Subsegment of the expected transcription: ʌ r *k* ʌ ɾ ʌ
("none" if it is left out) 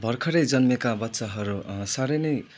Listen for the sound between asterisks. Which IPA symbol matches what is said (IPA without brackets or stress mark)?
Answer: kʰ